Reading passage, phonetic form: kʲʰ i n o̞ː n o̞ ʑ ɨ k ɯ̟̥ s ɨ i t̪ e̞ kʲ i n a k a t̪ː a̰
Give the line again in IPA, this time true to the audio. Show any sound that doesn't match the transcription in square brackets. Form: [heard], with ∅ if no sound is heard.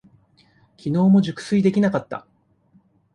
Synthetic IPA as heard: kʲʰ i n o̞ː [m] o̞ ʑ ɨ k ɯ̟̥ s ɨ i [d̪] e̞ kʲ i n a k a t̪ː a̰